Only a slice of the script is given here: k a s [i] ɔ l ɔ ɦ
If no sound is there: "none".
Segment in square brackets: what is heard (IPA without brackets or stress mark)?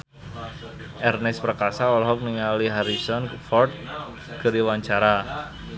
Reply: a